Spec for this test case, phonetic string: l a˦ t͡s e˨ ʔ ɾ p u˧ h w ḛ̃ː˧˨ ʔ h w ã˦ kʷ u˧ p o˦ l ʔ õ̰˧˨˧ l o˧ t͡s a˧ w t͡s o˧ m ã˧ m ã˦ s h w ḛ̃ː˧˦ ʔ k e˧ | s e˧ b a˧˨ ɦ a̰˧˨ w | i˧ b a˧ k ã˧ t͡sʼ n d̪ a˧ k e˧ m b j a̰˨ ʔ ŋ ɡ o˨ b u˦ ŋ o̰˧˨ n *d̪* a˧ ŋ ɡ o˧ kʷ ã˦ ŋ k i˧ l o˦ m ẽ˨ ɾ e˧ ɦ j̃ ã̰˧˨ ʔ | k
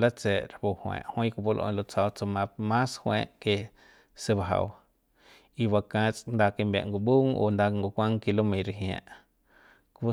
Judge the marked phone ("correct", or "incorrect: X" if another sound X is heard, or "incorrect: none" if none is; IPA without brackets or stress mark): correct